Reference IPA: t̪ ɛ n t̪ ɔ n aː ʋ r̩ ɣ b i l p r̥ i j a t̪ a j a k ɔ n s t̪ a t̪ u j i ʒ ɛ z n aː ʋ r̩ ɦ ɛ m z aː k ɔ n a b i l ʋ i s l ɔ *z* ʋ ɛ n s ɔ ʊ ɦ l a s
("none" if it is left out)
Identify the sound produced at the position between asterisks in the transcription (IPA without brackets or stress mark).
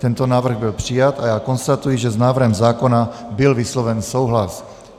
none